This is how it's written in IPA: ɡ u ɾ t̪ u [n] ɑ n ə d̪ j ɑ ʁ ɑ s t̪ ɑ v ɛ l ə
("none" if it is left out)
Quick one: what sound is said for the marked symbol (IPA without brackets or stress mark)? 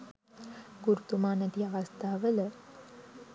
m